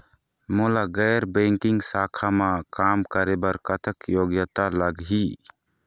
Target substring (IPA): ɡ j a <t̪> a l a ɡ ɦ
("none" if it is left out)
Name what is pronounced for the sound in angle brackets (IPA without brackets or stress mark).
t̪